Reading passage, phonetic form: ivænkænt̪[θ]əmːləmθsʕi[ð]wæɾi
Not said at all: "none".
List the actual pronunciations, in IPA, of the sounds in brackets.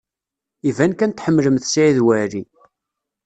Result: ħ, ð

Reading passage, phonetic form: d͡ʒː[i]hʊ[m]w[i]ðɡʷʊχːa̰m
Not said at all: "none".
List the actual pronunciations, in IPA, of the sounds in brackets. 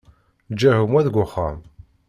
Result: æ, m, æ

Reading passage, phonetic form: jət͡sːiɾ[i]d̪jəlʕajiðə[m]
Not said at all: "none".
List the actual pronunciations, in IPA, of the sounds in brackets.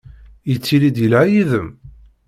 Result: i, m

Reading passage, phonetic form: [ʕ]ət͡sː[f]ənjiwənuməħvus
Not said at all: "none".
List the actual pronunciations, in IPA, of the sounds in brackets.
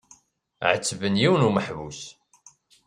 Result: ʕ, v

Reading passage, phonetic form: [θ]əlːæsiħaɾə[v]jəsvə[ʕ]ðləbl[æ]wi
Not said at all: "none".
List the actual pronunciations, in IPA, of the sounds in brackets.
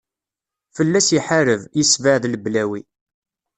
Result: f, v, ʕ, æ

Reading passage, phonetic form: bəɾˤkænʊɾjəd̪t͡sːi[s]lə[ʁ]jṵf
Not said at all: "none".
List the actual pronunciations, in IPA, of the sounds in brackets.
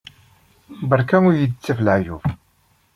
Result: f, ʕ

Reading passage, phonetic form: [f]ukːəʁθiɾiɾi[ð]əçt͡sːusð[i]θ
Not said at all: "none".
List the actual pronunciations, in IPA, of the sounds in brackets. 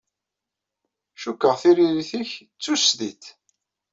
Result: ʃ, θ, i

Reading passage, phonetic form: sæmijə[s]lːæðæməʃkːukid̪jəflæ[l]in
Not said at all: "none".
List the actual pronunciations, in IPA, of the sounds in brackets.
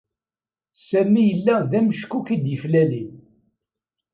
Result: none, l

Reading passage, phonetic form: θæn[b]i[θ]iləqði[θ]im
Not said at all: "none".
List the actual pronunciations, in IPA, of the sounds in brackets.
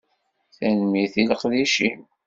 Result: m, θ, ʃ

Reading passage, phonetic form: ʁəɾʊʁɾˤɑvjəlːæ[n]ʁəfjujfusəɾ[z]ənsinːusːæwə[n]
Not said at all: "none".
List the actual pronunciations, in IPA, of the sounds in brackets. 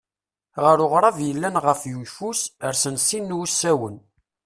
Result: n, s, n

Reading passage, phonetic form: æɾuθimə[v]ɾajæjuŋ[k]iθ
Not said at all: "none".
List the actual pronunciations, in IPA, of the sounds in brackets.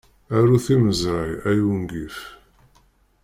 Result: z, ɡ

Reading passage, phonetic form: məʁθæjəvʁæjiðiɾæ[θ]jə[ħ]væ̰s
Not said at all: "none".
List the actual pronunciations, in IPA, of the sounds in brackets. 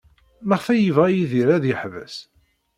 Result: ð, ħ

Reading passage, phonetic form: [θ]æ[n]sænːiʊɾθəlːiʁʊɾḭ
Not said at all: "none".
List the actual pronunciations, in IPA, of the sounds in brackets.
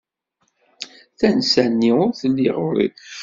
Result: θ, n

